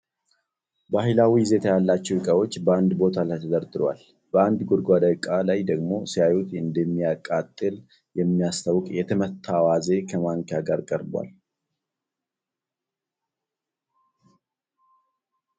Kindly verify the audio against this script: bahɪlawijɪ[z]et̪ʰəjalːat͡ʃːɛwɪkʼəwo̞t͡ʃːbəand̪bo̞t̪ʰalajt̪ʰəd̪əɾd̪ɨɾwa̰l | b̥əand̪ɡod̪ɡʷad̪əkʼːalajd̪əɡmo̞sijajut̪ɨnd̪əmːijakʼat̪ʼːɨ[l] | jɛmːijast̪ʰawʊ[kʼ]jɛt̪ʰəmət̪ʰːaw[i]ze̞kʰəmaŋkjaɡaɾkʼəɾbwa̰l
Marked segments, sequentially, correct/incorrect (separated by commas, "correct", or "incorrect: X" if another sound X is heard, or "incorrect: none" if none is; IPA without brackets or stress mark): correct, correct, correct, incorrect: a